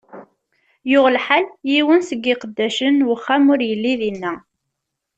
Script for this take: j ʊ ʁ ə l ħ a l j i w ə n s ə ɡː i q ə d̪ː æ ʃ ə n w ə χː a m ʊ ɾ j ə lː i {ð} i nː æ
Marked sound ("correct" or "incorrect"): correct